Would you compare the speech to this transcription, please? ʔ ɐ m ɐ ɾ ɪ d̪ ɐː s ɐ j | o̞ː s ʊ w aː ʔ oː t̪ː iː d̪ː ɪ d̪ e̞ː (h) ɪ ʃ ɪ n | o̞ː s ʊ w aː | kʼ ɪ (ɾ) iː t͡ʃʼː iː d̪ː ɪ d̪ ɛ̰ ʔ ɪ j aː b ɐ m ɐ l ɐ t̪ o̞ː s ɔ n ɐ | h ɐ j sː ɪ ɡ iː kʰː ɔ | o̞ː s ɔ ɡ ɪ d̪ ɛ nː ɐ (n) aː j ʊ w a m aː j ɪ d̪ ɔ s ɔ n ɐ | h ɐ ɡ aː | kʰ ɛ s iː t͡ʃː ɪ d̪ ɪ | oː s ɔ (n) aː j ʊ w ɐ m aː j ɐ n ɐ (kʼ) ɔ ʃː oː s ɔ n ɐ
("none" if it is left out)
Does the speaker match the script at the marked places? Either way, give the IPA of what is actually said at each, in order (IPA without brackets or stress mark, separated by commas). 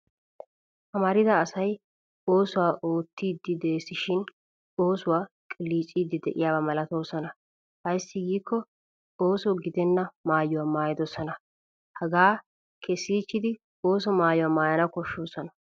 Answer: s, l, m, m, k